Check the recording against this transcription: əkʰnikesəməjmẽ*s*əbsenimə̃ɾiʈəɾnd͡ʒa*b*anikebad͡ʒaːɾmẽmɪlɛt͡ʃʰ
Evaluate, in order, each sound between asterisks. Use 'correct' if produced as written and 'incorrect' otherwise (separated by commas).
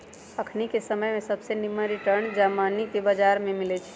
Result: correct, incorrect